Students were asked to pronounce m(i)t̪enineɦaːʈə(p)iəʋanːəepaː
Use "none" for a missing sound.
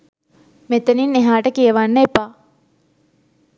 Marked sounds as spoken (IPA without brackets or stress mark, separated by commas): e, k